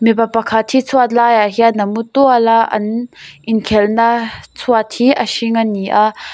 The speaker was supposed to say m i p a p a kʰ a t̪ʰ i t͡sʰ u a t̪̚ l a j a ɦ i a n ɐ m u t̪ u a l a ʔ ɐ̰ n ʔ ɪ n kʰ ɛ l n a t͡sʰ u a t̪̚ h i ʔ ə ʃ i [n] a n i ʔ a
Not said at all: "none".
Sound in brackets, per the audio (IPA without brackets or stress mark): ŋ